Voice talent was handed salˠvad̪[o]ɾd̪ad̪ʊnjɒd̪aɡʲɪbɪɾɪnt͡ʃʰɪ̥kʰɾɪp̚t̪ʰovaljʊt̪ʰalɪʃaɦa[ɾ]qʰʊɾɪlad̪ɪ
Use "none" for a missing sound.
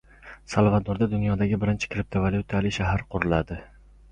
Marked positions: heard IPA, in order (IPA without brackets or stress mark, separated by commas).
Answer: o, ɾ